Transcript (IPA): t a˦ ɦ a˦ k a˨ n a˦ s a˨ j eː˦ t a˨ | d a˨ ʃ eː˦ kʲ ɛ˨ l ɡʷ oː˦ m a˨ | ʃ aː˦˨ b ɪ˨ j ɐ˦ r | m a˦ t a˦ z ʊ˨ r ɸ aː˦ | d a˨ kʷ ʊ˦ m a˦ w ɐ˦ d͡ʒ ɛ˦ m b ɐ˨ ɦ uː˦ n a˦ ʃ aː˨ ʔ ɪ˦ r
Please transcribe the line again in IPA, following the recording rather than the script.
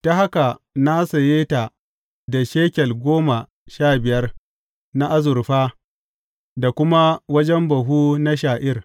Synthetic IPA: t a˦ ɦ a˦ k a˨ n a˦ s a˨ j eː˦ t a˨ | d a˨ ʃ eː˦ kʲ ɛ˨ l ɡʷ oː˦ m a˨ | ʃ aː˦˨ b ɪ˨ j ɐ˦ r | n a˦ ʔ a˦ z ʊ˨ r ɸ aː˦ | d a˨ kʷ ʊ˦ m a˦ w ɐ˦ d͡ʒ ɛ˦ m b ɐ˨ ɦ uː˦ n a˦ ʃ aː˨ ʔ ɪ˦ r